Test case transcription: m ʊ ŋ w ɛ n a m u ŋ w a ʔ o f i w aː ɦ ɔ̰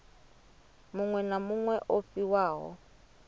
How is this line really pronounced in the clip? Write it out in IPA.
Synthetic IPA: m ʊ ŋ w ɛ n a m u ŋ w ɛ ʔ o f i w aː ɦ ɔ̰